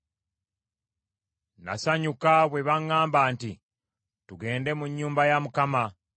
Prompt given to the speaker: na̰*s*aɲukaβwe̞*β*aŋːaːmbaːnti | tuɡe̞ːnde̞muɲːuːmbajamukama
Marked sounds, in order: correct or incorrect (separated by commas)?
correct, correct